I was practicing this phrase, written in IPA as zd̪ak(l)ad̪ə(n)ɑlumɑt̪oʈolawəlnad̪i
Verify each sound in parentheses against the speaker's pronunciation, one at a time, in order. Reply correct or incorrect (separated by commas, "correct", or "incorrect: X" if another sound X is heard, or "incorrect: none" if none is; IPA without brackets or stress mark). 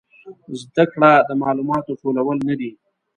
incorrect: ɽ, incorrect: m